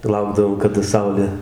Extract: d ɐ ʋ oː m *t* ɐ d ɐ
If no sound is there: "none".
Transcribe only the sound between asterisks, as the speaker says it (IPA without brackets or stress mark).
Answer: k